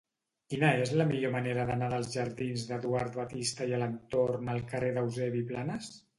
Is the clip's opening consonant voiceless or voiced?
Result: voiceless